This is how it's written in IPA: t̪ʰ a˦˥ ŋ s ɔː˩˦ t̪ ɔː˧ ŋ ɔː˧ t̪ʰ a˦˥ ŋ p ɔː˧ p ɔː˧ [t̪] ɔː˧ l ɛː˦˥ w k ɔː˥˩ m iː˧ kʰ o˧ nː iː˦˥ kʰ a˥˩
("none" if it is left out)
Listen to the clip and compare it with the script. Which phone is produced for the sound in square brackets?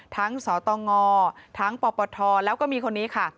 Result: t̪ʰ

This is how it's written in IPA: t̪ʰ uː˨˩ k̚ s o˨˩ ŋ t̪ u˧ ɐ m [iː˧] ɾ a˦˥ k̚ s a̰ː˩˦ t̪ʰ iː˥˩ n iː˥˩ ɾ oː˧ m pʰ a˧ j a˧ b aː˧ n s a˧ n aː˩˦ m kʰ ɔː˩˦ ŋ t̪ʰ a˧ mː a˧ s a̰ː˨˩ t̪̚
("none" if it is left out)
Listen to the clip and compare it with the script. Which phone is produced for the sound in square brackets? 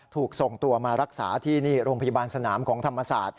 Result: aː˧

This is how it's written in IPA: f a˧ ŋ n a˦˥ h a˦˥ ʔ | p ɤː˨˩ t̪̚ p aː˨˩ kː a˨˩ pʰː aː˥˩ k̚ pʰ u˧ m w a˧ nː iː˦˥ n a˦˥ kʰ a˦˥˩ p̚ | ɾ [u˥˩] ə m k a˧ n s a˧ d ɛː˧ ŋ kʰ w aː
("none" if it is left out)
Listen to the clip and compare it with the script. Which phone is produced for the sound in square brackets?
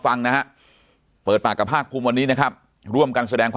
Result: u˥˩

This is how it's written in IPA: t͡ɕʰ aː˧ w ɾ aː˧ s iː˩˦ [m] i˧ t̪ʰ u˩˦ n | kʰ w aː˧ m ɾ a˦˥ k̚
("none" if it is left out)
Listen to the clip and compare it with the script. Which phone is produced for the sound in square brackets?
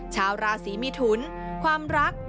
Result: m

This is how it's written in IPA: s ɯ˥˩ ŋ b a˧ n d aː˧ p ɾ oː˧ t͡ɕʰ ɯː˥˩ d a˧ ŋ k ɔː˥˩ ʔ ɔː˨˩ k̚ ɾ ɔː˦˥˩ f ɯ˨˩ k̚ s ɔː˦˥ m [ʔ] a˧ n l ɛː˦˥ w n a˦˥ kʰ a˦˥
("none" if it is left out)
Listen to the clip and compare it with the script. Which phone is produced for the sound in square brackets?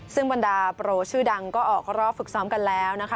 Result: k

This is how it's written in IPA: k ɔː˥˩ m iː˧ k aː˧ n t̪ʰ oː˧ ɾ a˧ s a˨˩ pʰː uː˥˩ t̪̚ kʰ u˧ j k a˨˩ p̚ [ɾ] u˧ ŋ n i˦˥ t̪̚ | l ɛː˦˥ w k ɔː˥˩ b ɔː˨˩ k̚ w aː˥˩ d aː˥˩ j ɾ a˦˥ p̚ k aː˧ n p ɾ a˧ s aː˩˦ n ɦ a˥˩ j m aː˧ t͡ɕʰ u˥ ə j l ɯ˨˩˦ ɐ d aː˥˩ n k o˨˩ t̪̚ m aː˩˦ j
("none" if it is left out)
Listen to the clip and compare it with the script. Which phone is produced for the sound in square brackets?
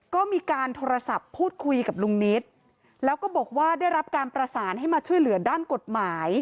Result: l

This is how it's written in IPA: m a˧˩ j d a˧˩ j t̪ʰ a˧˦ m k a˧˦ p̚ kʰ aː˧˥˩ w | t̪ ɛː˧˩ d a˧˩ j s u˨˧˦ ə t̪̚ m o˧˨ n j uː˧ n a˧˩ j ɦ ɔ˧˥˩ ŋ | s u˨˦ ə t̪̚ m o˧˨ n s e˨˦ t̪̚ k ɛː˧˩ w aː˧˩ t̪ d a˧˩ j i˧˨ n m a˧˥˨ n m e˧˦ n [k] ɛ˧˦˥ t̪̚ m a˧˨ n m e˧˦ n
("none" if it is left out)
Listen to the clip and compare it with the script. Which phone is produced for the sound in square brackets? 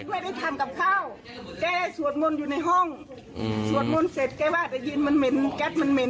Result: k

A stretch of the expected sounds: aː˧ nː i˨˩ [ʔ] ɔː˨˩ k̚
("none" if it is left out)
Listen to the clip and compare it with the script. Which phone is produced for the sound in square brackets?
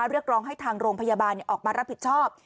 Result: ʔ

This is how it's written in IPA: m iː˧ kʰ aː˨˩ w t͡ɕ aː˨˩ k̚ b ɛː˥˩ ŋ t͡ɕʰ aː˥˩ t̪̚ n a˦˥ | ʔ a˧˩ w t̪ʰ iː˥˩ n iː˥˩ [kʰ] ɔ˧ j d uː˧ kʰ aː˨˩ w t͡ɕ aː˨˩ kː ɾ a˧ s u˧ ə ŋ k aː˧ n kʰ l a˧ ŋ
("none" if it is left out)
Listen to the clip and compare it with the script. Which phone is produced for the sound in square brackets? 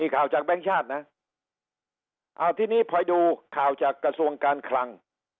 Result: pʰ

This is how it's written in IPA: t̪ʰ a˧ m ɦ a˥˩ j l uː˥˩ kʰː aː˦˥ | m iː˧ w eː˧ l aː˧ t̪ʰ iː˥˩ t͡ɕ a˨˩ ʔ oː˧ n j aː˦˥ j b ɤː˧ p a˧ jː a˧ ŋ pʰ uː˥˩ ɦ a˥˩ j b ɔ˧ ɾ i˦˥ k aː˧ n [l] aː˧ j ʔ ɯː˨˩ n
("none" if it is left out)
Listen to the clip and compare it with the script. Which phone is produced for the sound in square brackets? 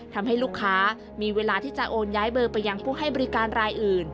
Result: ɾ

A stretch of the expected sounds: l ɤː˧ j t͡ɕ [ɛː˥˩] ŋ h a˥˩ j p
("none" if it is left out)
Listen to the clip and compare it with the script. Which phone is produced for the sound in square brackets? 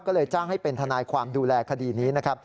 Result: aː˥˩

